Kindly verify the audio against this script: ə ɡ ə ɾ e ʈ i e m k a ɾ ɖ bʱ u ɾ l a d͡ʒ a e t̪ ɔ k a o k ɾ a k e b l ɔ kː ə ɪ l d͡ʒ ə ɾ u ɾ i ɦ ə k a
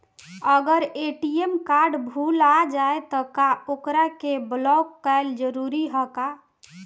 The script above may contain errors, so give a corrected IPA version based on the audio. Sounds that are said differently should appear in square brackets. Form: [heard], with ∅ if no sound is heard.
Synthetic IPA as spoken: ə ɡ ə ɾ e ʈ i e m k a ɾ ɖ bʱ u [∅] l a d͡ʒ a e t̪ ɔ k a o k ɾ a k e b l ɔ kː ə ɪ l d͡ʒ ə ɾ u ɾ i ɦ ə k a